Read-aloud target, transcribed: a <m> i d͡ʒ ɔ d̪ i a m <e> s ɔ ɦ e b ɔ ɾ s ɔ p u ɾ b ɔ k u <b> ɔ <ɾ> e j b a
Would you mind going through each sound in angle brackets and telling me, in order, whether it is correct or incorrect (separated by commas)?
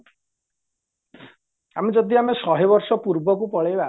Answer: correct, correct, incorrect, incorrect